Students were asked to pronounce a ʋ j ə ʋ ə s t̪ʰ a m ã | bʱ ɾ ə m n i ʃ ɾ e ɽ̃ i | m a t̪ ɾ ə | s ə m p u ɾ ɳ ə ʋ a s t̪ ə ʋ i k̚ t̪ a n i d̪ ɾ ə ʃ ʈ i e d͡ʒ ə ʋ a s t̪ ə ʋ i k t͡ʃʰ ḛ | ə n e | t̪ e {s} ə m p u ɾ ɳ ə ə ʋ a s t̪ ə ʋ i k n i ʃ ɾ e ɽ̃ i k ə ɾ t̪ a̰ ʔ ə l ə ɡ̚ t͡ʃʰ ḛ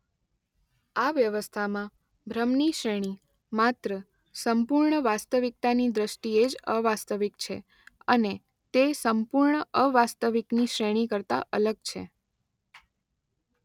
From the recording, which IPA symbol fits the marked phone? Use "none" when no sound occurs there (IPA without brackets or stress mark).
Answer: s